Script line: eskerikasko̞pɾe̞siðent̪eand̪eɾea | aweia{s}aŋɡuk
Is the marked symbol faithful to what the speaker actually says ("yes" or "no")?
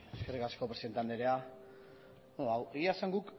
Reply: yes